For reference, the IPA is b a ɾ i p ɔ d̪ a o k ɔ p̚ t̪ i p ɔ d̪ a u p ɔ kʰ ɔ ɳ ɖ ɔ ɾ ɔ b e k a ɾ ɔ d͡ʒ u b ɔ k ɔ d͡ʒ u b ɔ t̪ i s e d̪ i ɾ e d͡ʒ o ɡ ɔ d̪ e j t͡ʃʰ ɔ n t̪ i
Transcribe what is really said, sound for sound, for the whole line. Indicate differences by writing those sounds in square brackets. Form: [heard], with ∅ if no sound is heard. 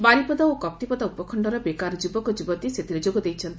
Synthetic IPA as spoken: b a ɾ i p ɔ d̪ a o k ɔ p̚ t̪ i p ɔ d̪ a u p ɔ kʰ ɔ ɳ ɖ ɔ ɾ ɔ b e k a ɾ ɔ d͡ʒ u b ɔ k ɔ d͡ʒ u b ɔ t̪ i s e [t̪] i ɾ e d͡ʒ o ɡ ɔ d̪ e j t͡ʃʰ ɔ n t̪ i

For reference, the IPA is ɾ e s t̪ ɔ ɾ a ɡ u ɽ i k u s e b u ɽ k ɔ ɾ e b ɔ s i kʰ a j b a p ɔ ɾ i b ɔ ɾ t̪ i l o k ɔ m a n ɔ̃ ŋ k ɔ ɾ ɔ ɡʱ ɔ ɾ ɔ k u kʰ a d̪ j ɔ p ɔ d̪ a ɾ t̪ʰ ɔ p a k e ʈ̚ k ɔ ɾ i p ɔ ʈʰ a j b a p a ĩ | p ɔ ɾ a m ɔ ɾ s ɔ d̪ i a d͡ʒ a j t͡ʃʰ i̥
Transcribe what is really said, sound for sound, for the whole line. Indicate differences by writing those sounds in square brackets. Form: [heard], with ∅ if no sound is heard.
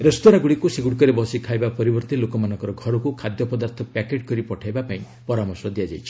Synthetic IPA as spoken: ɾ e s t̪ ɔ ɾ a ɡ u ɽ i k u s e [ɡ] u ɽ k ɔ ɾ e b ɔ s i kʰ a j b a p ɔ ɾ i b ɔ ɾ t̪ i l o k ɔ m a n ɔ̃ ŋ k ɔ ɾ ɔ ɡʱ ɔ ɾ ɔ k u kʰ a d̪ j ɔ p ɔ d̪ a ɾ t̪ʰ ɔ p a k e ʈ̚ k ɔ ɾ i p ɔ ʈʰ a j b a p a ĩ | p ɔ ɾ a m ɔ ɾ s ɔ d̪ i a d͡ʒ a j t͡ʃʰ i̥

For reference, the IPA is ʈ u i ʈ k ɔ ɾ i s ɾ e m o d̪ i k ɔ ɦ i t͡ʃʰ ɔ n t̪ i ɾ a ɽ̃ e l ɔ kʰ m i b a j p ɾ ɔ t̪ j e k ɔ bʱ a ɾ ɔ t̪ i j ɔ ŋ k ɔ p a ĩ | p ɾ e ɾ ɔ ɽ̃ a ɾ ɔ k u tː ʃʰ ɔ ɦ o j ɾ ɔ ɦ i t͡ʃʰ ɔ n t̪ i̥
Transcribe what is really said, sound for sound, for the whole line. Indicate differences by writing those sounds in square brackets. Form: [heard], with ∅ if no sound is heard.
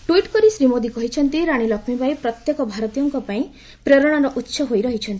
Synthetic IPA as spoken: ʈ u i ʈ k ɔ ɾ i s ɾ [i] m o d̪ i k ɔ ɦ i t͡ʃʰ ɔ n t̪ i ɾ a ɽ̃ [i] l ɔ kʰ m i b a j p ɾ ɔ t̪ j e k ɔ bʱ a ɾ ɔ t̪ i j ɔ ŋ k ɔ p a ĩ | p ɾ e ɾ ɔ ɽ̃ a ɾ ɔ [ʔ] u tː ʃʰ ɔ ɦ o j ɾ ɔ ɦ i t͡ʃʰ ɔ n t̪ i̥

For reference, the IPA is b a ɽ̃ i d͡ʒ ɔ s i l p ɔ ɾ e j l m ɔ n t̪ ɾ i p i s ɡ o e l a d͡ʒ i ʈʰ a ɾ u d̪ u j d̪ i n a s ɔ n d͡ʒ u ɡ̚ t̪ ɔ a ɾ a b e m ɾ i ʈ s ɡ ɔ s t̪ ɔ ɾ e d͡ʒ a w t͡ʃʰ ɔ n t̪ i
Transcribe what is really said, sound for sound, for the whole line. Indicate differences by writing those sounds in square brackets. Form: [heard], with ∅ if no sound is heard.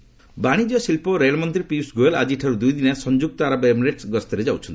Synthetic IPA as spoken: b a ɽ̃ i d͡ʒ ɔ s i l p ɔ ɾ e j l m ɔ n t̪ ɾ i p i s ɡ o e l a d͡ʒ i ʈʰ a ɾ u d̪ u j d̪ i n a s ɔ n d͡ʒ u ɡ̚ t̪ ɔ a ɾ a b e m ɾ [e] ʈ s ɡ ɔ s t̪ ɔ ɾ e d͡ʒ a w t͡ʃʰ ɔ n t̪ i

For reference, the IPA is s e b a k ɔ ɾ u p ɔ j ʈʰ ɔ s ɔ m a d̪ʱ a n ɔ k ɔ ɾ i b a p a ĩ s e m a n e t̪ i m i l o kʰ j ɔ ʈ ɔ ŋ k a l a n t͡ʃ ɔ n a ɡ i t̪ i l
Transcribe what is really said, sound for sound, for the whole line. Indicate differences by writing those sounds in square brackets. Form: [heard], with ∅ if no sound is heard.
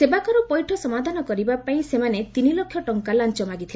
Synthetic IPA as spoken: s e b a k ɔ ɾ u p ɔ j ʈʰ ɔ s ɔ m a d̪ʱ a n ɔ k ɔ ɾ i b a p a ĩ s e m a n e t̪ i [n] i l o kʰ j ɔ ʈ ɔ ŋ k a l a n t͡ʃ ɔ [m] a ɡ i [t̪ʰ] i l

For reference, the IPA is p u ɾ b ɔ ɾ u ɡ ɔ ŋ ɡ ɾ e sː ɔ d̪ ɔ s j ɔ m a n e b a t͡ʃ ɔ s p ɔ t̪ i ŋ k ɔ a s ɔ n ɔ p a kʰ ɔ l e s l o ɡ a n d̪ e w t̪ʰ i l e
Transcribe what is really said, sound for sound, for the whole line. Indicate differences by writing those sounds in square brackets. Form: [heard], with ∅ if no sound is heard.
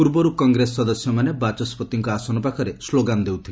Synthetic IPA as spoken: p u ɾ b ɔ ɾ u [k] ɔ ŋ ɡ ɾ e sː ɔ d̪ ɔ s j ɔ m a n e b a t͡ʃ ɔ s p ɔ t̪ i ŋ k ɔ a s ɔ n ɔ p a kʰ ɔ [ɾ] e s l o ɡ a n d̪ e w t̪ʰ i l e

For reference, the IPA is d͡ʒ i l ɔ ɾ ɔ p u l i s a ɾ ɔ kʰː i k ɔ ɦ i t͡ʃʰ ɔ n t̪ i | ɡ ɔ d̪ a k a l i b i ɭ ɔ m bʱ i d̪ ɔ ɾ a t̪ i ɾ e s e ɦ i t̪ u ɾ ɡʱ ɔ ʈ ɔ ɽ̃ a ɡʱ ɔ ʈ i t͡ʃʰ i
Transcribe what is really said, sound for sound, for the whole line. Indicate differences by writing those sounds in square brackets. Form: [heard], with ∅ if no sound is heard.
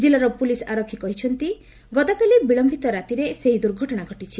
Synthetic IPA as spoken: d͡ʒ i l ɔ ɾ ɔ p u l i s a ɾ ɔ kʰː i k ɔ ɦ i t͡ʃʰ ɔ n t̪ i | ɡ ɔ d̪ a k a l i b i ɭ ɔ m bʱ i [t̪] ɔ ɾ a t̪ i ɾ e s e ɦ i [d̪] u ɾ ɡʱ ɔ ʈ ɔ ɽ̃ a ɡʱ ɔ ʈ i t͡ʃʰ i

